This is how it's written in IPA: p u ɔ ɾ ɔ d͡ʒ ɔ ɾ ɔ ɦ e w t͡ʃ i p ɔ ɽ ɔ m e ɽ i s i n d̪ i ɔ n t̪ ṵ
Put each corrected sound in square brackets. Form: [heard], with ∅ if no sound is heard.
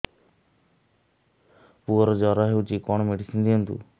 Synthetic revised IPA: p u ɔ ɾ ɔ d͡ʒ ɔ ɾ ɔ ɦ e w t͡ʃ i [k] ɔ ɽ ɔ m e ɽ i s i n d̪ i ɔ n t̪ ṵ